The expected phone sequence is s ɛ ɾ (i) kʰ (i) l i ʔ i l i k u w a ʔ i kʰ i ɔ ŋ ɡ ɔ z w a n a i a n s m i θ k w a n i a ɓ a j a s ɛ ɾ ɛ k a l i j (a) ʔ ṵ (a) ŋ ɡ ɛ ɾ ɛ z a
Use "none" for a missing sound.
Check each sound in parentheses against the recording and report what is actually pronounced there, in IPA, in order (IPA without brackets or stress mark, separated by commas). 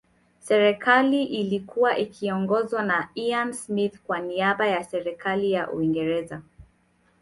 ɛ, a, a, i